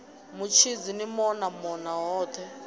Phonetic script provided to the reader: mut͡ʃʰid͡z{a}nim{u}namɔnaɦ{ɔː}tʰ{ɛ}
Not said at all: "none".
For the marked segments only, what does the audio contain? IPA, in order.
i, ɔ, ɔː, ɛ

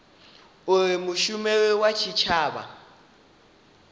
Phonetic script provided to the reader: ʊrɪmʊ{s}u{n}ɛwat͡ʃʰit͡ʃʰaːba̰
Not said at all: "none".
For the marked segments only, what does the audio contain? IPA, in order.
ʃ, m

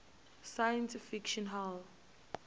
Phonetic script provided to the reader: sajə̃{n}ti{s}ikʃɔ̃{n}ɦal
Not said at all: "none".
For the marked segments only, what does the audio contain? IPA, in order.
n, f, n

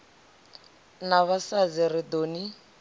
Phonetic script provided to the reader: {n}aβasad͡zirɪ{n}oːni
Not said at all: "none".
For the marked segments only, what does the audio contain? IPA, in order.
n, d

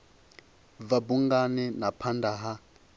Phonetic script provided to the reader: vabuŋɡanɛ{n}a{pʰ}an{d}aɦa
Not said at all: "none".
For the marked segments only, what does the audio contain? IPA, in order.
n, pʰ, d

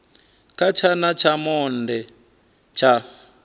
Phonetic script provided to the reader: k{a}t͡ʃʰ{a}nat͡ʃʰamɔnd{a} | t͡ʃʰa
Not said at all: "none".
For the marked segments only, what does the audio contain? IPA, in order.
a, a, ɛ

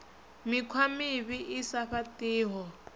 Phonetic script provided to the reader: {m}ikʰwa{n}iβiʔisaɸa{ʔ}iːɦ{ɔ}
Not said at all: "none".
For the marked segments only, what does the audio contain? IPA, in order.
m, m, t, ɔ

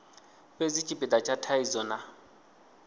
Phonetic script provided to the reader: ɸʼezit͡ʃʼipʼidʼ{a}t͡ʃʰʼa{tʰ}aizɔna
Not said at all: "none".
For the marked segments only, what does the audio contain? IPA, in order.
a, tʰ

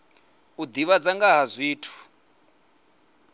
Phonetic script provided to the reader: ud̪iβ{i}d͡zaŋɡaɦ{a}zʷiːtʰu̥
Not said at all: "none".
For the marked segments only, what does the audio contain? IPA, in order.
a, a

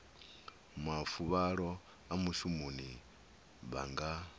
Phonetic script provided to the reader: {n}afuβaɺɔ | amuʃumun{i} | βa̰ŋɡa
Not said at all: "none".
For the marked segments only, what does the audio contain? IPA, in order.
m, i

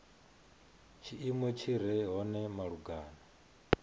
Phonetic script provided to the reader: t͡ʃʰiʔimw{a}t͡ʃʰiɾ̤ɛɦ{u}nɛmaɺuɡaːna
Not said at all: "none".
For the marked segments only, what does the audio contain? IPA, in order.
ɛ, ɔ

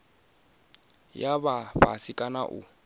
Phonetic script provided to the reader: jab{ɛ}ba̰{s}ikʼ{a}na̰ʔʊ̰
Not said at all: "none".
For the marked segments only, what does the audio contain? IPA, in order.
a, s, a

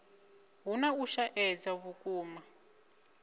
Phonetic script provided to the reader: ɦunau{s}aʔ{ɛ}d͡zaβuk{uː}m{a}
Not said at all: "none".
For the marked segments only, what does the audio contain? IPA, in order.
ʃ, ɛ, uː, a

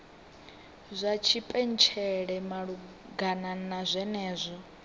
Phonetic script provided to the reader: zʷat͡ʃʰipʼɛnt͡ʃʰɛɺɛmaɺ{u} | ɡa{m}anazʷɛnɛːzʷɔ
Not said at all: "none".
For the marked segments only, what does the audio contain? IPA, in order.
u, n

